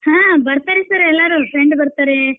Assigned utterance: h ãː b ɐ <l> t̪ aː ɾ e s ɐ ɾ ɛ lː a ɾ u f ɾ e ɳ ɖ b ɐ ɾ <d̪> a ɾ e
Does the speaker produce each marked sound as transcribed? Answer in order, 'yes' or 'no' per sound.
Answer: no, no

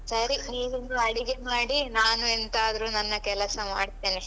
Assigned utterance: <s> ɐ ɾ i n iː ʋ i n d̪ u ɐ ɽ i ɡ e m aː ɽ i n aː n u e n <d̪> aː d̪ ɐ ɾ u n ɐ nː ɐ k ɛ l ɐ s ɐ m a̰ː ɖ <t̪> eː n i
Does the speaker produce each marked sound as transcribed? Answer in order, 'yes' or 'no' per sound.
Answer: yes, no, yes

